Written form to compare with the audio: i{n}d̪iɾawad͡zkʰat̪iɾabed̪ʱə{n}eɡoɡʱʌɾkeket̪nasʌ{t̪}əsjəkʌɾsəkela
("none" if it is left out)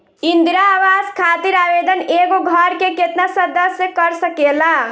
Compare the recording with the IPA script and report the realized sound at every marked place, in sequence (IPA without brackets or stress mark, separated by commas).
n, n, d̪